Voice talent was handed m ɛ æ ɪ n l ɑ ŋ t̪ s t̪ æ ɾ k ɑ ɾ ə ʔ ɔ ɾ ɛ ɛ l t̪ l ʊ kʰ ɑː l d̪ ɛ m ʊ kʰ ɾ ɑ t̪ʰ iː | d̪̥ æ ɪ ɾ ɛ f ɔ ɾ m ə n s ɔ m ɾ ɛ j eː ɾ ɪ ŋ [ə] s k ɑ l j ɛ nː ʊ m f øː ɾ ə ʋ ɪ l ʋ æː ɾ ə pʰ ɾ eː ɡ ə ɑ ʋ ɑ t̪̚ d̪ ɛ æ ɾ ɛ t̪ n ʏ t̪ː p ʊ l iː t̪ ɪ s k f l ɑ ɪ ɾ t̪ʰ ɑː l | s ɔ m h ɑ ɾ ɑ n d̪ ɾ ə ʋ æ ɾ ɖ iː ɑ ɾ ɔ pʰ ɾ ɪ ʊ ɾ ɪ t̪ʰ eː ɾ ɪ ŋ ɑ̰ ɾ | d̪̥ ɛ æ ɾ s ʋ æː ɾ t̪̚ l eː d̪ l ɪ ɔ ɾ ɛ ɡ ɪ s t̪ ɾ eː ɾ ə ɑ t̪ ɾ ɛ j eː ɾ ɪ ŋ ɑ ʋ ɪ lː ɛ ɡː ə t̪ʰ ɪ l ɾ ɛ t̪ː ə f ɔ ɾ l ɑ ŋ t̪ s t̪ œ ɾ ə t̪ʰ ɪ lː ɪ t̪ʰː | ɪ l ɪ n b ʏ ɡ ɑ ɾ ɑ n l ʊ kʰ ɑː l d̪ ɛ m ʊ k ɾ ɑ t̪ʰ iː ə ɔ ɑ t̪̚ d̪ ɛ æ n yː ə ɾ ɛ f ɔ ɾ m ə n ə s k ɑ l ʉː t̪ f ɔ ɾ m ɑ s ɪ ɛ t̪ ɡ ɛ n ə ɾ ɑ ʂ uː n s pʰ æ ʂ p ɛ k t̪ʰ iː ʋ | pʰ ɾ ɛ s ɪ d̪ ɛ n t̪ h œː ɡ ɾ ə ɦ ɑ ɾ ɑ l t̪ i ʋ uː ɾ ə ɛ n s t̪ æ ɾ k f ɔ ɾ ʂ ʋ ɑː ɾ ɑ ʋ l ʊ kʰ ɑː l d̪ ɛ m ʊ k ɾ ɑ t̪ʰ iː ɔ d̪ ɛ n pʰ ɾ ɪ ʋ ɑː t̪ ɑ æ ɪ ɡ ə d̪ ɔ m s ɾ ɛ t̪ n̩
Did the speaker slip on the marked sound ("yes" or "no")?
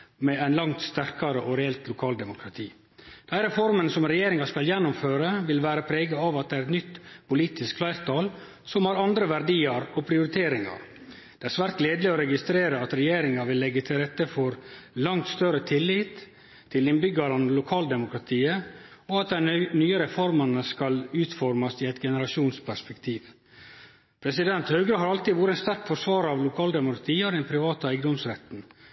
yes